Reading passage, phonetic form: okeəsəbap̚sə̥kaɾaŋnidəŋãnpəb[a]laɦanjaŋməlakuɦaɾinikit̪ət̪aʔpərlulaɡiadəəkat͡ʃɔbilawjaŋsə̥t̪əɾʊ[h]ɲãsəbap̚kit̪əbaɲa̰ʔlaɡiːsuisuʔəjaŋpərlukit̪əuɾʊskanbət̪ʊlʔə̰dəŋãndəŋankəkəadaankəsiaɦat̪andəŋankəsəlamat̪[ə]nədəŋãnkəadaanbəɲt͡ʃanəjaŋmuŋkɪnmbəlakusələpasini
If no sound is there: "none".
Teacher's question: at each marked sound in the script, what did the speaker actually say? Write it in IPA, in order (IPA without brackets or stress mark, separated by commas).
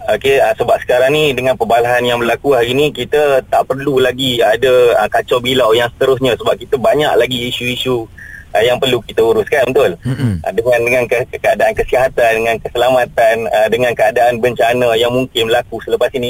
a, s, a